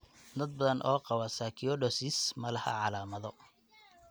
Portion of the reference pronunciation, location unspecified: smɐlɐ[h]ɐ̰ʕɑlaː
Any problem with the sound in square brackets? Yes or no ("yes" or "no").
no